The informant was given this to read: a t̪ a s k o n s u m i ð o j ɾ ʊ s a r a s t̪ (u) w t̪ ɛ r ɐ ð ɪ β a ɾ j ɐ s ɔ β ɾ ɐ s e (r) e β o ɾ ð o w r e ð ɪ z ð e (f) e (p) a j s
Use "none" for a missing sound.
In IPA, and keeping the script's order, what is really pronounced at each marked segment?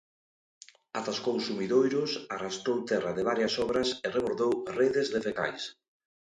o, r, f, k

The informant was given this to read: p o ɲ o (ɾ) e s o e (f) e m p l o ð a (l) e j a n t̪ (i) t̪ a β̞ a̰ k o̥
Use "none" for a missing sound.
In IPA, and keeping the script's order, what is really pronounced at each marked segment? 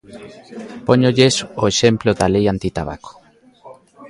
ʎ, ʃ, l, i

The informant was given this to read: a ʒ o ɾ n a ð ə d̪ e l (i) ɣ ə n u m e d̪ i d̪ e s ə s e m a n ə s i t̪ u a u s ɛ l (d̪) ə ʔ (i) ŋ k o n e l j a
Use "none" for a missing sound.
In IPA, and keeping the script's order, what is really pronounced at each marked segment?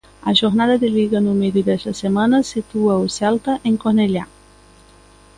i, t̪, e

